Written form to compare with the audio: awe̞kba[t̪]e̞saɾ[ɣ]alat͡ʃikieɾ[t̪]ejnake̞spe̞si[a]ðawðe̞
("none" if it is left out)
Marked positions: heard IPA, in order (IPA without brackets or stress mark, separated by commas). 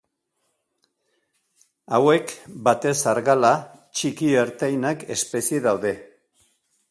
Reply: t̪, ɣ, t̪, e